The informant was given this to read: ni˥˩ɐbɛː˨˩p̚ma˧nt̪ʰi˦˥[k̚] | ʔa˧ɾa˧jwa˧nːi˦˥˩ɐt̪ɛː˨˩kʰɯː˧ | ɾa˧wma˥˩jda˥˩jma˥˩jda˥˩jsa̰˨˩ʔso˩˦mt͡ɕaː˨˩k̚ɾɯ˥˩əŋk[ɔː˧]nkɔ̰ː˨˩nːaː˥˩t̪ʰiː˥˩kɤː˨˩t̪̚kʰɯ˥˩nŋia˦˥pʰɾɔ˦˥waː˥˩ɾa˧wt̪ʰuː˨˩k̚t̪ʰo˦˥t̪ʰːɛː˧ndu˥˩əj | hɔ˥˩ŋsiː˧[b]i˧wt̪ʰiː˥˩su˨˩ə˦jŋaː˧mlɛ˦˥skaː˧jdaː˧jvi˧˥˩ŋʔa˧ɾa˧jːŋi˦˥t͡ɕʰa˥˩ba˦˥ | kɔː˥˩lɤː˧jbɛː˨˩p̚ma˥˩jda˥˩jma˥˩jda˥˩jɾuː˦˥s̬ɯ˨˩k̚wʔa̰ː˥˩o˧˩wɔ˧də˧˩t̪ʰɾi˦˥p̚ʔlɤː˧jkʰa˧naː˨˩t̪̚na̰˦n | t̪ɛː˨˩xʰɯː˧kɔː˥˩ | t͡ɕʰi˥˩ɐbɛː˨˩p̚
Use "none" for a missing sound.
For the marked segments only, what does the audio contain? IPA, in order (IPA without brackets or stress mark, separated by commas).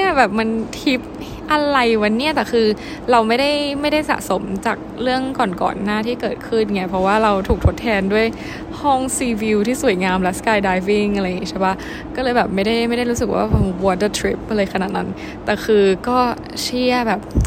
p̚, ɔː˨˩, w